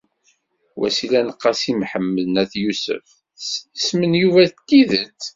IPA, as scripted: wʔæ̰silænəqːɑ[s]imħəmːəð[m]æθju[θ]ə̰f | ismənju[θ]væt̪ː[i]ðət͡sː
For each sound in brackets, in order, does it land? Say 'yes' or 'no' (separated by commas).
yes, no, no, no, yes